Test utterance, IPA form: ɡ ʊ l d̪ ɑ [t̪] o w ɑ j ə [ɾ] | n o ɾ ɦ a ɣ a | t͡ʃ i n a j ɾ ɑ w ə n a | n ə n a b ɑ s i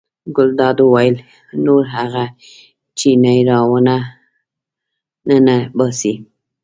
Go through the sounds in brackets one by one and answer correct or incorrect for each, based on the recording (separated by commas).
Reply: incorrect, incorrect